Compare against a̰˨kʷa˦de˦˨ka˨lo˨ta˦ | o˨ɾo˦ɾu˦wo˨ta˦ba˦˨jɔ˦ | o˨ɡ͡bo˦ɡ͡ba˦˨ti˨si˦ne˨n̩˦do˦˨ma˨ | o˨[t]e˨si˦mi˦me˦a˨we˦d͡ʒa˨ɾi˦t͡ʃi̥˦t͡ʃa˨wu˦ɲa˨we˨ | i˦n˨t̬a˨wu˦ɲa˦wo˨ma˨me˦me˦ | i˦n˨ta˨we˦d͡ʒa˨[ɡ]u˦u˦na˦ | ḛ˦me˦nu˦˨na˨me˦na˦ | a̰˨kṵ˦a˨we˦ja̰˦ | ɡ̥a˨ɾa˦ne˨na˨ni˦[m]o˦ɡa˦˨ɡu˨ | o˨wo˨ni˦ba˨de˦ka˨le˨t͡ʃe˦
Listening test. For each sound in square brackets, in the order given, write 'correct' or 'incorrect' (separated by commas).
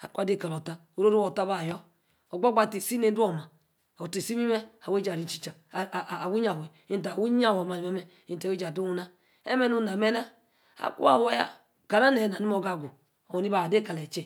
correct, incorrect, correct